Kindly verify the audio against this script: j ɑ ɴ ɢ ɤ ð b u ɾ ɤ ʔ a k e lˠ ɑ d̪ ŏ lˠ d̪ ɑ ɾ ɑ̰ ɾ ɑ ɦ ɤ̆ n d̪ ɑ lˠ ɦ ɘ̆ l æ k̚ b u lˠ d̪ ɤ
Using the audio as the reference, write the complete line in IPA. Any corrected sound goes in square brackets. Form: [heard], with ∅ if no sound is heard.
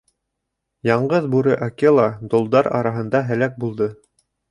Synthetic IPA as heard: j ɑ ɴ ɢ ɤ ð b u ɾ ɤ ʔ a k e lˠ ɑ d̪ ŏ lˠ d̪ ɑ ɾ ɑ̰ ɾ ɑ ɦ ɤ̆ n d̪ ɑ [∅] ɦ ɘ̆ l æ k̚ b u lˠ d̪ ɤ